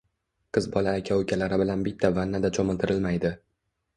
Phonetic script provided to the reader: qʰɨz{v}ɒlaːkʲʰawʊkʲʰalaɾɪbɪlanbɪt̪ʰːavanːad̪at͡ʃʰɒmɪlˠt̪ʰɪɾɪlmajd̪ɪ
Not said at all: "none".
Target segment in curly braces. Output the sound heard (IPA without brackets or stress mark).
b